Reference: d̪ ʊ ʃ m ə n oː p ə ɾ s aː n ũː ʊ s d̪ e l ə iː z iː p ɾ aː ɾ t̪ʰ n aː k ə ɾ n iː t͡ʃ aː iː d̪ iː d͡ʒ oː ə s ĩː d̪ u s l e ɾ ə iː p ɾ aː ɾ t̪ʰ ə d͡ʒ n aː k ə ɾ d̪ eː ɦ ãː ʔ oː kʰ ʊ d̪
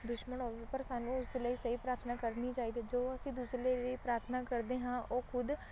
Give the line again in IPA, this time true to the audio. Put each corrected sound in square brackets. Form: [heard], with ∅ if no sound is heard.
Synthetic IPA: d̪ ʊ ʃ m ə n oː p ə ɾ s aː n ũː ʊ s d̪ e l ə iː [s] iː p ɾ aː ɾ t̪ʰ n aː k ə ɾ n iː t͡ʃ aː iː d̪ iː d͡ʒ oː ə s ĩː d̪ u s l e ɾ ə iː p ɾ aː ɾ t̪ʰ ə [∅] n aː k ə ɾ d̪ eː ɦ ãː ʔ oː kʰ ʊ d̪